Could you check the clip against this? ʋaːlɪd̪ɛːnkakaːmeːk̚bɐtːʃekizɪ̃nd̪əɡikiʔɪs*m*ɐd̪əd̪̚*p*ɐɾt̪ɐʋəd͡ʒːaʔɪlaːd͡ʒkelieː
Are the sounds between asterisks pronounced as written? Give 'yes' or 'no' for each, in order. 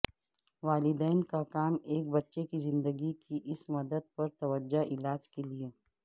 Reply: yes, yes

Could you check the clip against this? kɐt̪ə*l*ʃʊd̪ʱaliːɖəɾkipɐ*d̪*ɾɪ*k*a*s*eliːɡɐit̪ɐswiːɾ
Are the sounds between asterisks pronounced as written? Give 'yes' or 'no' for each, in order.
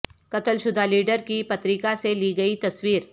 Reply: yes, no, yes, yes

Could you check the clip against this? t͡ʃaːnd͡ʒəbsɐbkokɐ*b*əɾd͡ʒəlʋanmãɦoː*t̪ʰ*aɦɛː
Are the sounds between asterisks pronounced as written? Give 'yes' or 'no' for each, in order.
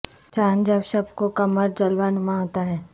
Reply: no, no

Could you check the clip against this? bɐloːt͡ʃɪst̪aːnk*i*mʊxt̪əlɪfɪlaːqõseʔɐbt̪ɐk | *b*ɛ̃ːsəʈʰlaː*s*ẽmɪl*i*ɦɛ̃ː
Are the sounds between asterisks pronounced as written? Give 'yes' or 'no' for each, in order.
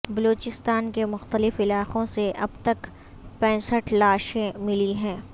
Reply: no, no, no, yes

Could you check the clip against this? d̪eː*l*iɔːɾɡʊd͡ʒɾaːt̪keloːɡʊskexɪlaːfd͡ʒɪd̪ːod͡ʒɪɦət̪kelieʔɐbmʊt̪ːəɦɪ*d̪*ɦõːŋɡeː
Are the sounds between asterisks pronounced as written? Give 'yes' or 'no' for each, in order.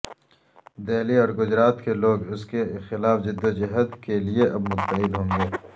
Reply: yes, yes

